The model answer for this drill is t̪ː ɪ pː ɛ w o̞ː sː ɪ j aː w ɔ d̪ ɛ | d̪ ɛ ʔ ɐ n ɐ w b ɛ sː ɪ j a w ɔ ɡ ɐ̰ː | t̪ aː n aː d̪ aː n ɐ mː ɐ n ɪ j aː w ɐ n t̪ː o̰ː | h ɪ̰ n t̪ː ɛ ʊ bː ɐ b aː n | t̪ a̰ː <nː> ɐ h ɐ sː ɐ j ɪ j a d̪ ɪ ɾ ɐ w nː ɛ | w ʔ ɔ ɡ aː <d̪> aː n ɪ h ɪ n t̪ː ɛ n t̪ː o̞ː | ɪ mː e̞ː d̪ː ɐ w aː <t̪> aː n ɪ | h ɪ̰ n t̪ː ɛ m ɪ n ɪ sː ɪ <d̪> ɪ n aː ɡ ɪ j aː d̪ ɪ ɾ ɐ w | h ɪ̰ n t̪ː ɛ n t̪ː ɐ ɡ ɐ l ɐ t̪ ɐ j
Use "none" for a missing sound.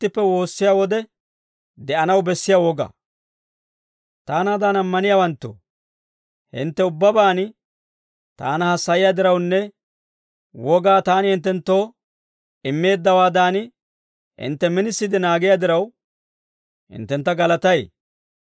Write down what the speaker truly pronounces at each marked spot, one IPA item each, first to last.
n, t̪, d̪, d̪

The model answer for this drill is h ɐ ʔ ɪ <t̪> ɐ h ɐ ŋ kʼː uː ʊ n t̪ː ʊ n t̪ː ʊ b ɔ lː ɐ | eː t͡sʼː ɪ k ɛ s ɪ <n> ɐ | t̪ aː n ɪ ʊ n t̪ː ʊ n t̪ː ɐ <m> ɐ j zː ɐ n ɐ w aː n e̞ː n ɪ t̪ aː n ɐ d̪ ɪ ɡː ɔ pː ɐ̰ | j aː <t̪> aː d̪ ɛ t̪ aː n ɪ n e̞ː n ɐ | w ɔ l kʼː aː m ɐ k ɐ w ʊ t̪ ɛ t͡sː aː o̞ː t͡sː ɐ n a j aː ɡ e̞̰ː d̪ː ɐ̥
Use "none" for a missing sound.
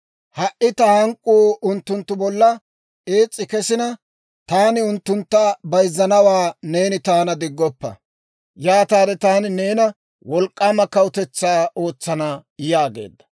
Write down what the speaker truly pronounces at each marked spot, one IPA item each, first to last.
t̪, n, b, t̪

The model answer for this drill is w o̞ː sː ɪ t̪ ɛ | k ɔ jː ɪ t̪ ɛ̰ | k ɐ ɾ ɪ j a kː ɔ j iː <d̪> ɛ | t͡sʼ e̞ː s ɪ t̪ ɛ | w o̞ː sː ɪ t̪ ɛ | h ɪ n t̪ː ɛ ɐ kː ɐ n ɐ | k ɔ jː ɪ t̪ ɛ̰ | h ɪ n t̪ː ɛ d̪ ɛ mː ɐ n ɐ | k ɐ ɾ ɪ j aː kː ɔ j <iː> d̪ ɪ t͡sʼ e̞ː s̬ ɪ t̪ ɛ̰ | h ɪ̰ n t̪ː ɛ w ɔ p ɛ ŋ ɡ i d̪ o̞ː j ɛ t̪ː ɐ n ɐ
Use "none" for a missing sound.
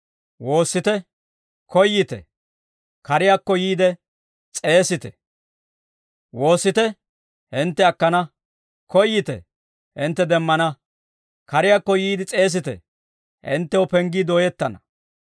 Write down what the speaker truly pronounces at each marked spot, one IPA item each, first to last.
d̪, iː

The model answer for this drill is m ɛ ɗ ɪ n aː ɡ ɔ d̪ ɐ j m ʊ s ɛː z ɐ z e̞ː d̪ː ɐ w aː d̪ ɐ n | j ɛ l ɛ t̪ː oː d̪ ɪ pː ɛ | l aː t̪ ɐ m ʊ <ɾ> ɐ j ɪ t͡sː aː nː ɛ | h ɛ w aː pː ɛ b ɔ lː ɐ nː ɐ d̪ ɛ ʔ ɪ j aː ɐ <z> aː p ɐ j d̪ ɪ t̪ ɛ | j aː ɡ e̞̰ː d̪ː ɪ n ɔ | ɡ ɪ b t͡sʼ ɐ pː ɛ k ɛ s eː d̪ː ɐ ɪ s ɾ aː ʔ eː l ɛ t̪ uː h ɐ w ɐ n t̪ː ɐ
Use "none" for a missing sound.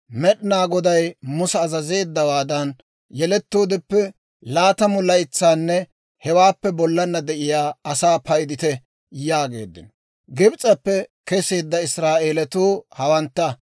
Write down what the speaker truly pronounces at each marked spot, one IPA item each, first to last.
l, s

